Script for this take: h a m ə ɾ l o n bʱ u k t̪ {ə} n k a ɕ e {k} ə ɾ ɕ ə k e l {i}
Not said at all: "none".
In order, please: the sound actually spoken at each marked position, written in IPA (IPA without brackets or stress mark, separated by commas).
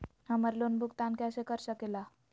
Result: a, k, a